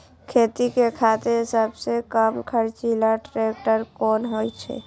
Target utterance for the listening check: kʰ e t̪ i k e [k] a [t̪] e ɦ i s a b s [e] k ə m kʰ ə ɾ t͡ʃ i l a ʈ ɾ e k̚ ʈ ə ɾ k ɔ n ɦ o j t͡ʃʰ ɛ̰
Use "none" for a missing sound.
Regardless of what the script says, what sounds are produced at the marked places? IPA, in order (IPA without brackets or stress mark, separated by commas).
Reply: kʰ, t̪, e